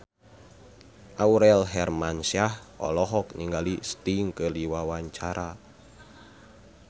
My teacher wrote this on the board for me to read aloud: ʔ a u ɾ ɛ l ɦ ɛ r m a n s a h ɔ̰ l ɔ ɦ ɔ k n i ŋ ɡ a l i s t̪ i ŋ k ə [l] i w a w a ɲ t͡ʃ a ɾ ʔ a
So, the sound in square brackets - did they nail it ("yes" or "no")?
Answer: yes